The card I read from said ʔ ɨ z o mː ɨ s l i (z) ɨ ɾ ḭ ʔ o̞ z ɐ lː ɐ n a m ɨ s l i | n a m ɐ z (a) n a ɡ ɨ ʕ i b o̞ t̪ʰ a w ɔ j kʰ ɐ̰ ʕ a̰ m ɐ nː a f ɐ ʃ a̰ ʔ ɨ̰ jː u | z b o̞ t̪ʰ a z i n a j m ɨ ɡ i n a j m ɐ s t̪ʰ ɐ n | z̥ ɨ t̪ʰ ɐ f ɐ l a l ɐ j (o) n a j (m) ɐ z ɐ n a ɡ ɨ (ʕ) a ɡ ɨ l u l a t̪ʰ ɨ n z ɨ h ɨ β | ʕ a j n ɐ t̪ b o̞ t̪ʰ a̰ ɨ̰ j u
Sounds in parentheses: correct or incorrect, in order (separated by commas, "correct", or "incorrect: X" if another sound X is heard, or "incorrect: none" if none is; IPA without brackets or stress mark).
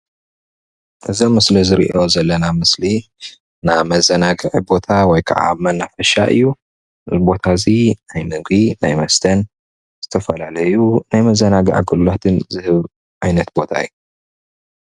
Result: correct, incorrect: ɐ, incorrect: u, correct, correct